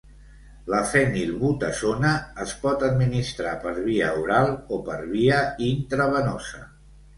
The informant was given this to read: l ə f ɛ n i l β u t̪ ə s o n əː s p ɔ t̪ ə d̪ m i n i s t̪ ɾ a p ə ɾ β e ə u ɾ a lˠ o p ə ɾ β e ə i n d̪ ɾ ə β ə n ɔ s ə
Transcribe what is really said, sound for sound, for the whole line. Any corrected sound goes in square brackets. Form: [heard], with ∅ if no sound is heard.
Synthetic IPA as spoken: l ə f ɛ n i l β u t̪ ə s o n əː s p ɔ t̪ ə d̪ m i n i s t̪ ɾ a p ə ɾ β [i] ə u ɾ a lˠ o p ə ɾ β [i] ə i n [t̪] ɾ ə β ə n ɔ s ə